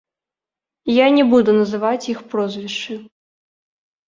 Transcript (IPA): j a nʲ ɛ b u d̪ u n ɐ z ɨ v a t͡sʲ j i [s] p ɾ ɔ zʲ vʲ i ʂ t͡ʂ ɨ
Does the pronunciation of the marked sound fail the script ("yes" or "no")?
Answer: yes